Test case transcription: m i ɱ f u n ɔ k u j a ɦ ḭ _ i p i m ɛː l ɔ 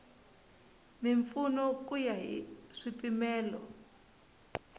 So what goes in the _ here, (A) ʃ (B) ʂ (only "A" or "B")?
B